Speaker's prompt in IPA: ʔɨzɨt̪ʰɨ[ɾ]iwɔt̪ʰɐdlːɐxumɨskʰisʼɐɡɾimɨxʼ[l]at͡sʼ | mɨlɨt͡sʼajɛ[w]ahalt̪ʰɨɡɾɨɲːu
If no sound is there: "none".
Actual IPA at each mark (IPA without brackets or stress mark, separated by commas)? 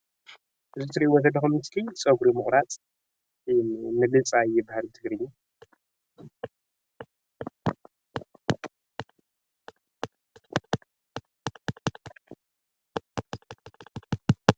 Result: ɾ, ɾ, b